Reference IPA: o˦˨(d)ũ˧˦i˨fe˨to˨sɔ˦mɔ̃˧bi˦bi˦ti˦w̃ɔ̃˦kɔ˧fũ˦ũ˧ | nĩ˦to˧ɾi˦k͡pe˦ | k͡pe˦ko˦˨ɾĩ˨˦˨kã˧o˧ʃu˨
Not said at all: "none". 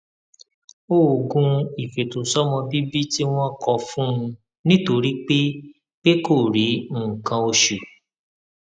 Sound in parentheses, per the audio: ɡ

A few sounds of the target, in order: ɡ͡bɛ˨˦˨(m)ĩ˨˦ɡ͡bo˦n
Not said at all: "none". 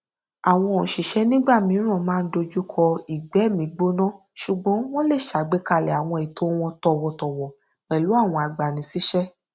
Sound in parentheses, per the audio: m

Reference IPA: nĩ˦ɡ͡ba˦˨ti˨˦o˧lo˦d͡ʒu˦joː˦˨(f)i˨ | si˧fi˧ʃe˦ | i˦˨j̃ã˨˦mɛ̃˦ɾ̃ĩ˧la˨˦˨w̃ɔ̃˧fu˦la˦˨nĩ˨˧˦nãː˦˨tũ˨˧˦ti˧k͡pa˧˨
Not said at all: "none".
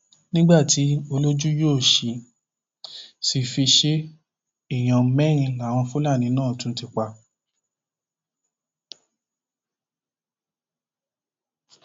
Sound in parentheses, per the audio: ʃ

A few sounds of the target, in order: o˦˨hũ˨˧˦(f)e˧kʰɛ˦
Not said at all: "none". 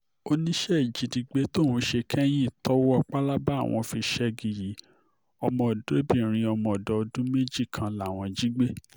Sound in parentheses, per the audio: ʃ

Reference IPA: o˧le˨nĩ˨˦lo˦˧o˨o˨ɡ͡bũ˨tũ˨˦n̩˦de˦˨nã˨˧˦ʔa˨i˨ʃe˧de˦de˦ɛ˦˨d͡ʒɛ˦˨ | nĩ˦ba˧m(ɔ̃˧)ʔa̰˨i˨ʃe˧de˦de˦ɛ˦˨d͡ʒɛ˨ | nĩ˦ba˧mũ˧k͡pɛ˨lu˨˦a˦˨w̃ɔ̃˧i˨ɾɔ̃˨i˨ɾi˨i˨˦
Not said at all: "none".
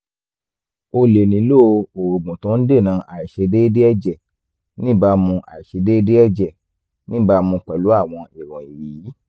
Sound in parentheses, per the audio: ũ˧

